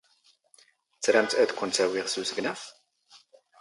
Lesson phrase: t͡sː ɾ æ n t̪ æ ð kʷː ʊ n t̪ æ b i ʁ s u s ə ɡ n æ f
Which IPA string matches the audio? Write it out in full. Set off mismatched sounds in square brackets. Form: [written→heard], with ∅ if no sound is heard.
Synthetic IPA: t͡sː ɾ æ [n→m] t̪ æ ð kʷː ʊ n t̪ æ [b→w] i ʁ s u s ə ɡ n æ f

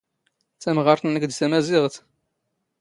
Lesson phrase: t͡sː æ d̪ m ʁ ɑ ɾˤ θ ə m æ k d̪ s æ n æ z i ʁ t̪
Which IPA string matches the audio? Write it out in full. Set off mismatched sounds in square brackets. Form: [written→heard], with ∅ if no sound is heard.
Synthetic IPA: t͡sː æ [d̪→∅] m ʁ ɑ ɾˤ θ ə [m→n] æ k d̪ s æ [n→m] æ z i ʁ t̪

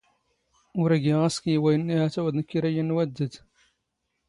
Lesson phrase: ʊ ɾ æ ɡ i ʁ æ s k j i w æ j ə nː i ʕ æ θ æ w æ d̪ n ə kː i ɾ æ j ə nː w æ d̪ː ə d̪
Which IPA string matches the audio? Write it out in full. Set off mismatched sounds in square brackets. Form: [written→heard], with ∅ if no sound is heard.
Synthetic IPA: ʊ ɾ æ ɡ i ʁ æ s k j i w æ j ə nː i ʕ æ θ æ w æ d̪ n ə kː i ɾ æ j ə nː w æ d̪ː ə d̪

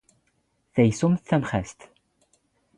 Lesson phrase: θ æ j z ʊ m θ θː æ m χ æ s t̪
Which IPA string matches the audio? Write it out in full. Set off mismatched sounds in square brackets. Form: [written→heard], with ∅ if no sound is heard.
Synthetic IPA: θ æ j [z→s] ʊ m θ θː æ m χ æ s t̪

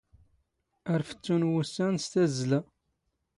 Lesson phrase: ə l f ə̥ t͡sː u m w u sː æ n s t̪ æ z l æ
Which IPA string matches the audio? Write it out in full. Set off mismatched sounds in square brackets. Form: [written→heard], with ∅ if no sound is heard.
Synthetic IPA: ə [l→ɾ] f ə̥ t͡sː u [m→n] w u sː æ n s t̪ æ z l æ

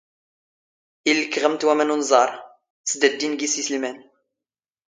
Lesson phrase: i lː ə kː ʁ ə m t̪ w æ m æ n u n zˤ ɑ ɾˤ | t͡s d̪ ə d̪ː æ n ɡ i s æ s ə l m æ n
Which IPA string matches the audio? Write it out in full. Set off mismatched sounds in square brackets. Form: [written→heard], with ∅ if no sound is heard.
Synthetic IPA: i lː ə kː ʁ ə m t̪ w æ m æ n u n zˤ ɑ ɾˤ | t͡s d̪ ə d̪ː [æ→i] n ɡ i s [æ→i] s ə l m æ n

